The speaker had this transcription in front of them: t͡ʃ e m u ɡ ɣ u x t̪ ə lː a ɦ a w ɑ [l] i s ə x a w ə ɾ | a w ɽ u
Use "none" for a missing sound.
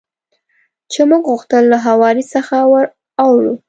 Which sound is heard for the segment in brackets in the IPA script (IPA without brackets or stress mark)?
ɾ